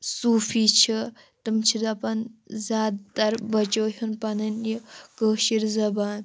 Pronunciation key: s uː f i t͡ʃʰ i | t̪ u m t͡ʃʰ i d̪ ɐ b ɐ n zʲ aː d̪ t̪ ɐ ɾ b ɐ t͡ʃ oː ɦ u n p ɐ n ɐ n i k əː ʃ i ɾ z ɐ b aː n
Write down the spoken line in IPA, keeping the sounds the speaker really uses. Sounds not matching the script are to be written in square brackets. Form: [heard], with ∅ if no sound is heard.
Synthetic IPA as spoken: s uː f i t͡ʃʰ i | t̪ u m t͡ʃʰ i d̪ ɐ [p] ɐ n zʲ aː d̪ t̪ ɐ ɾ b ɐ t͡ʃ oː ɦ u n p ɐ n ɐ n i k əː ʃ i ɾ z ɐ b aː n

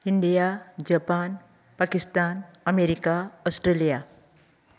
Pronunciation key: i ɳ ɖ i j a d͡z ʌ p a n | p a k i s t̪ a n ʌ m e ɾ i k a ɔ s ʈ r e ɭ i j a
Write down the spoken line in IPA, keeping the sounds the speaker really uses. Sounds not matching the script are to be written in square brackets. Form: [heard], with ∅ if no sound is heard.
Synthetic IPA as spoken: i ɳ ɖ i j a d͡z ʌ p a n | p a k i s t̪ a n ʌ m e ɾ i k a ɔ s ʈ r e [l] i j a

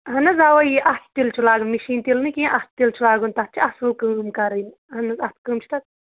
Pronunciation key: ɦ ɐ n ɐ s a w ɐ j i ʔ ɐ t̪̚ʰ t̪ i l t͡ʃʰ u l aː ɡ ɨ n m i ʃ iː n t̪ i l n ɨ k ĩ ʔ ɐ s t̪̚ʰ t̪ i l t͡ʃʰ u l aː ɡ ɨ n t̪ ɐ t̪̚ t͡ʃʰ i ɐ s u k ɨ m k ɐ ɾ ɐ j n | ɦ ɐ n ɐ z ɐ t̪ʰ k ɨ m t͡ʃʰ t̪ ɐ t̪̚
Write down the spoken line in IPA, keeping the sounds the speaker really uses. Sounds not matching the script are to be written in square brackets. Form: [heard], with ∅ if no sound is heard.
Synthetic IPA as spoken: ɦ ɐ n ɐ [z] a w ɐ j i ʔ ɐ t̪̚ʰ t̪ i l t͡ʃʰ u l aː ɡ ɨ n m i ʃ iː n t̪ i l n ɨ k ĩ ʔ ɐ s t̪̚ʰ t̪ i l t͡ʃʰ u l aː ɡ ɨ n t̪ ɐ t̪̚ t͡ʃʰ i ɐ s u k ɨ m k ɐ ɾ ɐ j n | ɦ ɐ n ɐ z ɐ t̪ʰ k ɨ m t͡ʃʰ t̪ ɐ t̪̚

